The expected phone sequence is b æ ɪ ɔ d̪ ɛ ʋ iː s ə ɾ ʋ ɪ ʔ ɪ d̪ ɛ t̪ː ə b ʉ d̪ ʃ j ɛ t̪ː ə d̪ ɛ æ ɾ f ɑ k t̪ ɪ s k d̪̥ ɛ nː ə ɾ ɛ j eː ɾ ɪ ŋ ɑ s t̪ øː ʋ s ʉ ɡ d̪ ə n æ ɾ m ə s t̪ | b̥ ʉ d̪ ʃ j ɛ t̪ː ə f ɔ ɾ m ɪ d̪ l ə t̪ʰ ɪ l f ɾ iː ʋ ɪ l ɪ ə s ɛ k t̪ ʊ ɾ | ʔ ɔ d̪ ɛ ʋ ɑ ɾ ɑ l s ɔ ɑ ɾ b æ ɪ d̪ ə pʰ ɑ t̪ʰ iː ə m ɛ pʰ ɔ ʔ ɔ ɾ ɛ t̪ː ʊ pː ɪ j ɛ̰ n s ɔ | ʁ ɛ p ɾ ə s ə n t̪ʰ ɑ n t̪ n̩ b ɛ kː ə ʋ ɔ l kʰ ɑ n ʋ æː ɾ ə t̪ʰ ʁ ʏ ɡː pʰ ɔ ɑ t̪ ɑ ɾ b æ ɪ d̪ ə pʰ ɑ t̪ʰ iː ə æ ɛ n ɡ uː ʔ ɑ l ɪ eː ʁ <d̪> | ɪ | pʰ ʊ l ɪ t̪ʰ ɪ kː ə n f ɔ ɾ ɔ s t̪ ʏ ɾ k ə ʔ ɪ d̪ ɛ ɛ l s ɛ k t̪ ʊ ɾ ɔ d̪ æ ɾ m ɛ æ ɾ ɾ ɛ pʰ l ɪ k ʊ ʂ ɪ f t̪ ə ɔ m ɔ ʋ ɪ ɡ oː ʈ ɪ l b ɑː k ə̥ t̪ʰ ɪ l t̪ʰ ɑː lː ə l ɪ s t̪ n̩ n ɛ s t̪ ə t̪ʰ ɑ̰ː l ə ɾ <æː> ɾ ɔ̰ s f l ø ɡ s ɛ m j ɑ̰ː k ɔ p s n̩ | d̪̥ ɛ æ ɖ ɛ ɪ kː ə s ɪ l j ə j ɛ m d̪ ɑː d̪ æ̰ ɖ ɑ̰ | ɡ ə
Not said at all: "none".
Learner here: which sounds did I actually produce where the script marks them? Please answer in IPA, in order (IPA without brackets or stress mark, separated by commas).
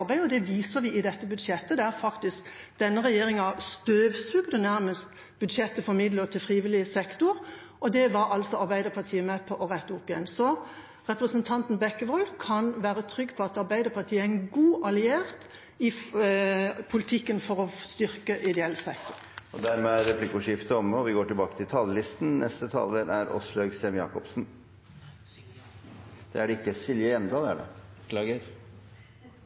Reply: t̪, æ